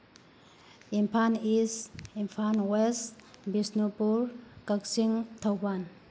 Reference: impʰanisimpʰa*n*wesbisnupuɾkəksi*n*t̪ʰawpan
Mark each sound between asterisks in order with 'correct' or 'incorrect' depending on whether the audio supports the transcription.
correct, incorrect: ŋ

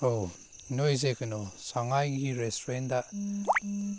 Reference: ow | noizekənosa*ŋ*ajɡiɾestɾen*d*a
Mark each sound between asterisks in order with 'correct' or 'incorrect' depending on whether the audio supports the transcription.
correct, correct

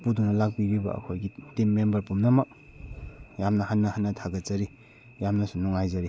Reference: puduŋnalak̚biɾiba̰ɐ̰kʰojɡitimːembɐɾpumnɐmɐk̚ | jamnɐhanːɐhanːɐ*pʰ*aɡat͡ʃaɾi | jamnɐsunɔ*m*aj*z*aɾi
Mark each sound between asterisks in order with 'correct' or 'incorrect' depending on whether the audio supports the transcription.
incorrect: tʰ, incorrect: ŋ, correct

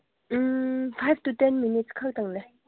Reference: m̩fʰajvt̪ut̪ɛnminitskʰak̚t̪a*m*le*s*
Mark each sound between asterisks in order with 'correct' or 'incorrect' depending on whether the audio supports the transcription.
incorrect: ŋ, incorrect: none

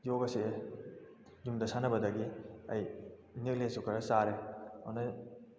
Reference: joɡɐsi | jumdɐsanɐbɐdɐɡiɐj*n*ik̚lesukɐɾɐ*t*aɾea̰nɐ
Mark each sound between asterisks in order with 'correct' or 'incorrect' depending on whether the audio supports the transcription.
correct, incorrect: s

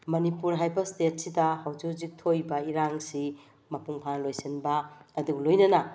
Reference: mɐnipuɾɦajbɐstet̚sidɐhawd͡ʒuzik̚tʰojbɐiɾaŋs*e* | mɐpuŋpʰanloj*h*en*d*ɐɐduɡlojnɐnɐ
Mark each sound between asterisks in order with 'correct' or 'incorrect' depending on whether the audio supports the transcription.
incorrect: i, incorrect: s, incorrect: b

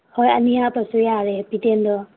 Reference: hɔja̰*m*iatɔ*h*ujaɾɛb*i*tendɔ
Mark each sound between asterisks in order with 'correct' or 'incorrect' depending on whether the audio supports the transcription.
incorrect: n, incorrect: s, correct

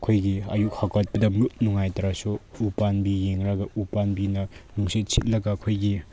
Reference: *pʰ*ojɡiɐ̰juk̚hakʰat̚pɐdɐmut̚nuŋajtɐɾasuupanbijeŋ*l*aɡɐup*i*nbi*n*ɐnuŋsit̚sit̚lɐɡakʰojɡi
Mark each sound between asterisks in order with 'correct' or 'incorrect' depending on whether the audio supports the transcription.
incorrect: kʰ, incorrect: ɾ, incorrect: a, correct

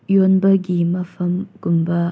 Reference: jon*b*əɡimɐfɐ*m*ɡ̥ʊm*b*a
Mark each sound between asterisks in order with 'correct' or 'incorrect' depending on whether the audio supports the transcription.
correct, correct, correct

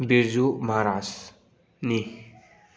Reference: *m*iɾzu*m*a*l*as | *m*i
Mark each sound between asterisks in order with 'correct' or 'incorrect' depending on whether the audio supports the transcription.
incorrect: b, correct, incorrect: ɾ, incorrect: n

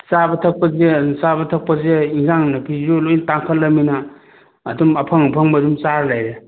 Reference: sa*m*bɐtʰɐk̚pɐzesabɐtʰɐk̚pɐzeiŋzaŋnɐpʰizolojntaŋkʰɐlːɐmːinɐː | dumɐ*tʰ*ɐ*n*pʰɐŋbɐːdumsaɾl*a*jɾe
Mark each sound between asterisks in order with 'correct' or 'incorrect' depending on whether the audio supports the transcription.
incorrect: none, incorrect: pʰ, incorrect: ŋ, correct

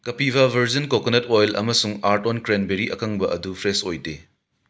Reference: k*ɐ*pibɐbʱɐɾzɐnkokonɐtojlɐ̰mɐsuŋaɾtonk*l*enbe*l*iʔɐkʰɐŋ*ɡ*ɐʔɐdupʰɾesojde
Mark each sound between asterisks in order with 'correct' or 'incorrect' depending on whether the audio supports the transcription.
correct, incorrect: ɾ, incorrect: ɾ, incorrect: b

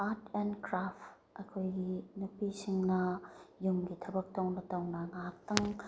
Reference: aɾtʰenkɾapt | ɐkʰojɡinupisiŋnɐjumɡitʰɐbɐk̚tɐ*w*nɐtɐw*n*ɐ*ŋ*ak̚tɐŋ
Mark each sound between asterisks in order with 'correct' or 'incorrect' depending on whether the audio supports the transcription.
correct, correct, correct

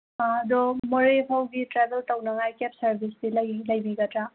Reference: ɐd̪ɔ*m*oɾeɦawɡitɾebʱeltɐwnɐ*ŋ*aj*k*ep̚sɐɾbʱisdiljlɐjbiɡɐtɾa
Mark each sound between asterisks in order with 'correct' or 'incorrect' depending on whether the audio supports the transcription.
correct, correct, correct

